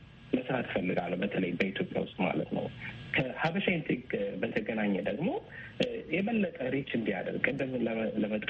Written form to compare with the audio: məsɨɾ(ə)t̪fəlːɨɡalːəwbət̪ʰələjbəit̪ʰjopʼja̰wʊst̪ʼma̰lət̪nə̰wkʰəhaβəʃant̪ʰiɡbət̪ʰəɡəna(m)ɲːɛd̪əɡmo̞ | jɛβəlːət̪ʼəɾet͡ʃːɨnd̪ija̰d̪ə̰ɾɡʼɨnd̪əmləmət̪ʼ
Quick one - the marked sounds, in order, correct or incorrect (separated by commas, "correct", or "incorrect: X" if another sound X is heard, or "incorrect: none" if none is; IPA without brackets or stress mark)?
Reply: incorrect: a, incorrect: none